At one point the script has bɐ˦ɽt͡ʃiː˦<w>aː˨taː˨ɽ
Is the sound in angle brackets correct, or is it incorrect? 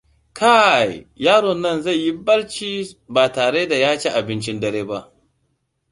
incorrect